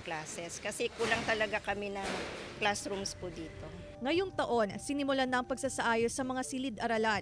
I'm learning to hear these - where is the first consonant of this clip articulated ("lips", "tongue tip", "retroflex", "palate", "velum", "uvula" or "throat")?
velum